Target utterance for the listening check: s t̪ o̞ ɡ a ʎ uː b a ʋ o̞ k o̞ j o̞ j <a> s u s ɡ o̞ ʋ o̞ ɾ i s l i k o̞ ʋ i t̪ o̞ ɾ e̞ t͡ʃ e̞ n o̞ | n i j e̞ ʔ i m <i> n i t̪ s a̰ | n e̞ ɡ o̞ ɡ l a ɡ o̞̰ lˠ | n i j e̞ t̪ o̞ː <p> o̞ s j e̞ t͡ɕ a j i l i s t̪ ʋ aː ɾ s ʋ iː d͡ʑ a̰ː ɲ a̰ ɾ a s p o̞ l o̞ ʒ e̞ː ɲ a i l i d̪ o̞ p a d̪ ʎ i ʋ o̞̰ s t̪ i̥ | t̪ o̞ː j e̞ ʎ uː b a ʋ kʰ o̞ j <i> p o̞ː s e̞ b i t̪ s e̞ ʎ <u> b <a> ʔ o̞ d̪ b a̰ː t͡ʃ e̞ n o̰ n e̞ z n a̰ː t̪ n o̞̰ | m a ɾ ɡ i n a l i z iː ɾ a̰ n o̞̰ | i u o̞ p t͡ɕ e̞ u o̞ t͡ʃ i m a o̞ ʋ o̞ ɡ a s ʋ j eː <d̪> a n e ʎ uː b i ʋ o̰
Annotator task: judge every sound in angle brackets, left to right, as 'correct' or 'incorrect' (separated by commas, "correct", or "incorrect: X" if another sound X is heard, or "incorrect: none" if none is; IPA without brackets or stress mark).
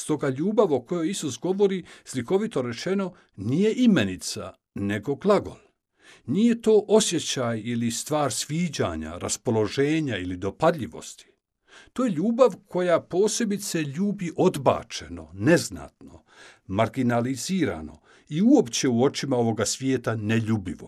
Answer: incorrect: i, incorrect: e, incorrect: ʔ, incorrect: a, incorrect: uː, incorrect: i, incorrect: t̪